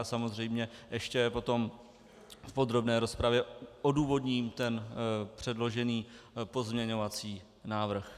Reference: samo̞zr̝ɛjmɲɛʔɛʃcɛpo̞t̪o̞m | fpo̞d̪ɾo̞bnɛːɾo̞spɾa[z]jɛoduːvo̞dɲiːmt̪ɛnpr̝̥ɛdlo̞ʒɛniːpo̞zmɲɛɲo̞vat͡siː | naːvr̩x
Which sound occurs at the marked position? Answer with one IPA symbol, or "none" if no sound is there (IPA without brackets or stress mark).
v